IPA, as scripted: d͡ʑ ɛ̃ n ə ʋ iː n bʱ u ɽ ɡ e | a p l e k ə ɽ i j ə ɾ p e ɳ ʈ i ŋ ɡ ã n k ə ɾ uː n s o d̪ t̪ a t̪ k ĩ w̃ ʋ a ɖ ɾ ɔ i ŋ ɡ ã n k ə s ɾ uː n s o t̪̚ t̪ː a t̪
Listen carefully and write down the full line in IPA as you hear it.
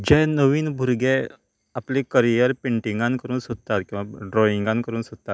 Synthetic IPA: d͡ʑ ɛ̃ n ə ʋ iː n bʱ u ɾ ɡ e | a p l e k ə ɾ i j ə ɾ p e ɳ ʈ i ŋ ɡ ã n k ə ɾ uː n s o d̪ t̪ a t̪ k ĩ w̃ ʋ a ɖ ɾ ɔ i ŋ ɡ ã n k ə ɾ uː n s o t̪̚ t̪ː a t̪